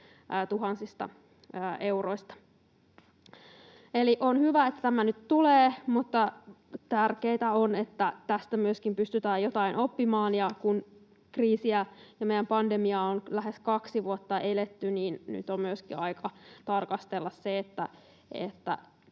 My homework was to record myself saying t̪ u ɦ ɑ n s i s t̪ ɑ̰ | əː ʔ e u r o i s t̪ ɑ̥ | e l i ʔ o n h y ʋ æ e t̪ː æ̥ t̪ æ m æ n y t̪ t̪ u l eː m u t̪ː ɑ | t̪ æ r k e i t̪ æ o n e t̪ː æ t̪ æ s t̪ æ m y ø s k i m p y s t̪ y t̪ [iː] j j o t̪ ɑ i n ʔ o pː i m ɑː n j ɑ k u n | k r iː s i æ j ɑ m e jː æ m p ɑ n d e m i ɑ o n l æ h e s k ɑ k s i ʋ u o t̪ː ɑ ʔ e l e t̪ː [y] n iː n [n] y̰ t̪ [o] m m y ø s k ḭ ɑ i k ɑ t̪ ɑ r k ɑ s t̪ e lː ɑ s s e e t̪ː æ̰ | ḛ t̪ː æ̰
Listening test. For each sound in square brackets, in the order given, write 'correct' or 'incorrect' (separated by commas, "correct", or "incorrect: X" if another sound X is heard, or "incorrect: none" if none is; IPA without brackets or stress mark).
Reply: incorrect: æː, correct, correct, correct